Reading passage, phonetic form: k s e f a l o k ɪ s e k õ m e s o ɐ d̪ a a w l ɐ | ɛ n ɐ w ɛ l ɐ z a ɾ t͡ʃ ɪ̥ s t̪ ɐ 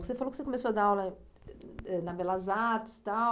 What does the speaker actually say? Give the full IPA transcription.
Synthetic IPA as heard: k s e f a l o k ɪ s e k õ m e s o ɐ d̪ a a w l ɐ | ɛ n ɐ b ɛ l ɐ z a ɾ t͡ʃ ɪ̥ s t̪ a